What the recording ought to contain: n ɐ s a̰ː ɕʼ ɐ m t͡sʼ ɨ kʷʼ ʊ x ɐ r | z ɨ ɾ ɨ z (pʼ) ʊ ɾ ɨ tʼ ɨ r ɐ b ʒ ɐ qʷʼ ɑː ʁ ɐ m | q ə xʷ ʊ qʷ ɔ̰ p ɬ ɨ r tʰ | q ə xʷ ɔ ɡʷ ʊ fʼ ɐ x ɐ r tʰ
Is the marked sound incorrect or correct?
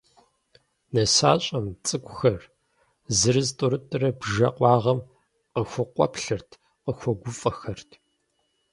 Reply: incorrect